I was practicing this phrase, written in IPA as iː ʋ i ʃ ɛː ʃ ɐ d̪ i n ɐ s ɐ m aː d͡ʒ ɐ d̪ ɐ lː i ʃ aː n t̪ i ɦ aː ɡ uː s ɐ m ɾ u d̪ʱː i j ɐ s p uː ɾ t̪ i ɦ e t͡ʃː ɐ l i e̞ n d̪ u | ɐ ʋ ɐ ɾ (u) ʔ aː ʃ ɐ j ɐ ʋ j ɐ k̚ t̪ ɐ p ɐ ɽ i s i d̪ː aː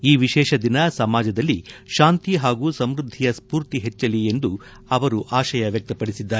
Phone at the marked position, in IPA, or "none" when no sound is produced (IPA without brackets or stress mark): u